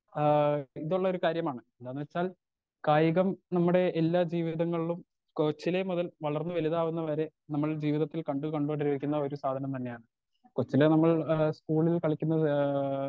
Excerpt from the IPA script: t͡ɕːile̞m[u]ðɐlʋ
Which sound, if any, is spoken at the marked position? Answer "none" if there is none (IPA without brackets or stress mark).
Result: u